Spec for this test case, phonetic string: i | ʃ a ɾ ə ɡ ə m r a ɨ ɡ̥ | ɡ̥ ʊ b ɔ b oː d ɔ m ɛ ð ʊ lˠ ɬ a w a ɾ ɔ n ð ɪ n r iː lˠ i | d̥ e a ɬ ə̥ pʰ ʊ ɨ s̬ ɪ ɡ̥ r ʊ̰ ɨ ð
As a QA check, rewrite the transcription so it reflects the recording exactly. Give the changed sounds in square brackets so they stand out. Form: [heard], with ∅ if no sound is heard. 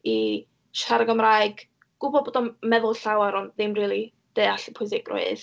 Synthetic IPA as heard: i | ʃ a ɾ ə ɡ ə m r a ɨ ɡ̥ | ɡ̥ ʊ b ɔ b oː d ɔ m ɛ ð ʊ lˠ ɬ a w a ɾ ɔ n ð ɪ [m] r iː lˠ i | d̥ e a ɬ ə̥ pʰ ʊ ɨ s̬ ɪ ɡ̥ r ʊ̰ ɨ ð